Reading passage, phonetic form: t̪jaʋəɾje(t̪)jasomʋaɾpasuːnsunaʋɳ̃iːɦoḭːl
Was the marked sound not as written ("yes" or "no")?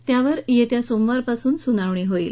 no